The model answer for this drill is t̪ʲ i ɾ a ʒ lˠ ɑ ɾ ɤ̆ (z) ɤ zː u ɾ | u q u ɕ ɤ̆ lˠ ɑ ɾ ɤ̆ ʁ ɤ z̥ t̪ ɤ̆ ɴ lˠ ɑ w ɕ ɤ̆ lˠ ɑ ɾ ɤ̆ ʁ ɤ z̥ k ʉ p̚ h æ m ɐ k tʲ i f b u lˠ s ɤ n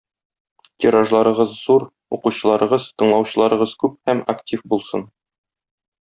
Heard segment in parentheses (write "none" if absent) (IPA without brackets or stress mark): ʁ